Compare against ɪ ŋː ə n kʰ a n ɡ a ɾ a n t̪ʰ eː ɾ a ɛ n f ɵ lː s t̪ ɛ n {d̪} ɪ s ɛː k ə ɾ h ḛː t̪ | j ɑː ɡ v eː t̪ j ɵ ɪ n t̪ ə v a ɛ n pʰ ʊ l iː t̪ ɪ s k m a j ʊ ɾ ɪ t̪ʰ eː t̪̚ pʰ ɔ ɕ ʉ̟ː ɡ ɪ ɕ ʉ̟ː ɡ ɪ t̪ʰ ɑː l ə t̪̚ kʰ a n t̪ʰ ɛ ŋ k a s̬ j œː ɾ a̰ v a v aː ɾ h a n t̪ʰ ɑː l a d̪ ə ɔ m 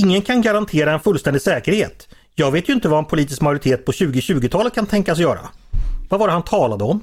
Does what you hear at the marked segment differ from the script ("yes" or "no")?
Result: no